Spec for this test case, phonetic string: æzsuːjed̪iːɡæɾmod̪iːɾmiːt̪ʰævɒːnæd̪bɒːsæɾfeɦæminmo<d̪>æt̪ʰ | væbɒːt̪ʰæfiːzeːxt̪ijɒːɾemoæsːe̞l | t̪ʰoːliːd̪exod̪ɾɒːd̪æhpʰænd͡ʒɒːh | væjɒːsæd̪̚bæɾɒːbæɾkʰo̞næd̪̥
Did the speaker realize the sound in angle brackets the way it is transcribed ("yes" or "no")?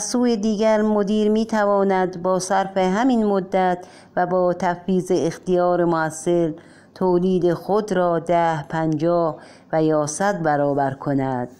no